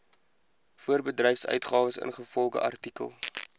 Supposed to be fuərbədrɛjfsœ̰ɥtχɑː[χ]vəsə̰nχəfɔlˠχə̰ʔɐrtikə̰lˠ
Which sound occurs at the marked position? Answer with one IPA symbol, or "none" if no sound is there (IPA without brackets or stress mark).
none